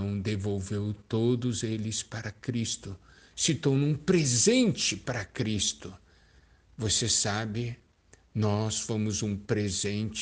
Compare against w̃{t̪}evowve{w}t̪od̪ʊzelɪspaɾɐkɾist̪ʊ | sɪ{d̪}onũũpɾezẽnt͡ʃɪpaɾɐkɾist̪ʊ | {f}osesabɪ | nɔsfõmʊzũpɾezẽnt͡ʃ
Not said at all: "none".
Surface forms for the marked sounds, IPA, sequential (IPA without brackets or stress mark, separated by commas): d̪, w, t̪, v